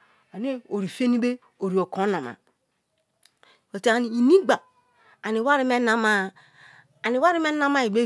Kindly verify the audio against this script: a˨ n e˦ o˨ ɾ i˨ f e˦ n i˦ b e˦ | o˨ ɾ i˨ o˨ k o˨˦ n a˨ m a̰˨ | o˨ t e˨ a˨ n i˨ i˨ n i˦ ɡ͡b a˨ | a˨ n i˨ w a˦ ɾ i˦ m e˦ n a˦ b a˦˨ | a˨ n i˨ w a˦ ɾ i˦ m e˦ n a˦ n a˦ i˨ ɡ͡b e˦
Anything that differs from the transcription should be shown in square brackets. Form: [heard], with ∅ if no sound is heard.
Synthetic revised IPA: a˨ n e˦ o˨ ɾ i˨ f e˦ n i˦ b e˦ | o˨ ɾ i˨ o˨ k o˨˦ n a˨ m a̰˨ | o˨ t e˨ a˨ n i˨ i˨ n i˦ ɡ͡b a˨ | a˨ n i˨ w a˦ ɾ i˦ m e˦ n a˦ [m] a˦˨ | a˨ n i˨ w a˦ ɾ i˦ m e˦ n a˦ [m] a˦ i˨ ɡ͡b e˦